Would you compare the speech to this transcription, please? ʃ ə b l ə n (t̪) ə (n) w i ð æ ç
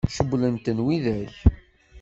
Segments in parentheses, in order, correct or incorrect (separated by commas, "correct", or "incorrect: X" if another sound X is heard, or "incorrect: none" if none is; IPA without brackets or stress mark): correct, correct